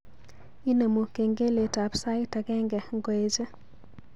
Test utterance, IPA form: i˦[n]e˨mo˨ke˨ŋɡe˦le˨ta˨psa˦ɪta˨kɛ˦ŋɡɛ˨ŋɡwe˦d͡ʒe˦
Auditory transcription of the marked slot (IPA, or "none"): n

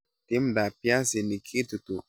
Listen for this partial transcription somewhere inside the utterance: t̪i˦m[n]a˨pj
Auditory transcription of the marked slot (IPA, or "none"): d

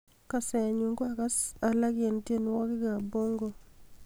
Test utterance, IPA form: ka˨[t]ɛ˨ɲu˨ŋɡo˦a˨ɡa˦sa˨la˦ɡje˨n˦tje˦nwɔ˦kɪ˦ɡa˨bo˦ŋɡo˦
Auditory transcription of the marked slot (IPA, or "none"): s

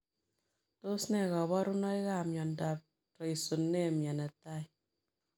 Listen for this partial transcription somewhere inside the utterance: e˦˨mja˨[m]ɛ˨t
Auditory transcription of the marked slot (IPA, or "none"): n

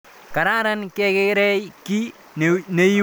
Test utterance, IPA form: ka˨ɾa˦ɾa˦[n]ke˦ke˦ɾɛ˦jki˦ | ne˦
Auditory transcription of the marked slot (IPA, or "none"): n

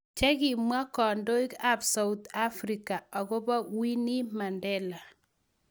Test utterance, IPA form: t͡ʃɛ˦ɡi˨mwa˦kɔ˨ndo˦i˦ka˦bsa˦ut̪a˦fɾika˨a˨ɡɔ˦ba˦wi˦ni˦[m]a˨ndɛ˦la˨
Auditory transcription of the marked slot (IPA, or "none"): m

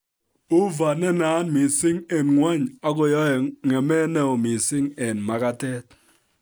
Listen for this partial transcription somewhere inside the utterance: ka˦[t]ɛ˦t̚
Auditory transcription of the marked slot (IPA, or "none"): t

